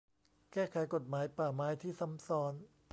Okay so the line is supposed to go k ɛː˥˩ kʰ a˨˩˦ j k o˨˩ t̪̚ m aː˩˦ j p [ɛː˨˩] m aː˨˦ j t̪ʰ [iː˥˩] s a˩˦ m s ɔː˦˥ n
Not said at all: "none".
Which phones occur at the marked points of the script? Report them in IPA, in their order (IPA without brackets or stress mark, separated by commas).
aː˨˩, iː˥˩